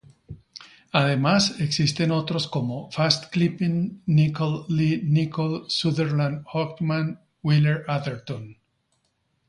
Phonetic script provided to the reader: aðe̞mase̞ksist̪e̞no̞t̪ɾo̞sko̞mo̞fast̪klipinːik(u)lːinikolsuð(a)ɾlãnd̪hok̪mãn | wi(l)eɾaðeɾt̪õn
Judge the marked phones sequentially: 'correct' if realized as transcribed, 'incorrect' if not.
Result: incorrect: o, incorrect: e, correct

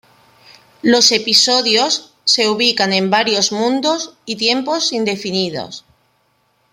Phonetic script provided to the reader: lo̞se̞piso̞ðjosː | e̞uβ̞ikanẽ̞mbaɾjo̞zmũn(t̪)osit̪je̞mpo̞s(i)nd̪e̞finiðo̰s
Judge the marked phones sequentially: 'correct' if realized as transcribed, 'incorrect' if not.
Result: incorrect: d̪, correct

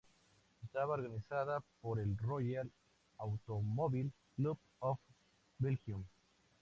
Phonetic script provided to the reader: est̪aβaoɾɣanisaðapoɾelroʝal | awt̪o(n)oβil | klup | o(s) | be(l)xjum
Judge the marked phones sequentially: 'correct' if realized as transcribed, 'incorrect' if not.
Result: incorrect: m, incorrect: f, correct

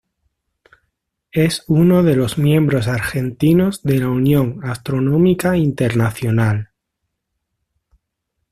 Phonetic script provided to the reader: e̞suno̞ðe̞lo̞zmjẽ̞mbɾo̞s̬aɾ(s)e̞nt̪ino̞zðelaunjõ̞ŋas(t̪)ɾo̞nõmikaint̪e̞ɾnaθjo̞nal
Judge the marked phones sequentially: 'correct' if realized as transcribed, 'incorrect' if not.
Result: incorrect: x, correct

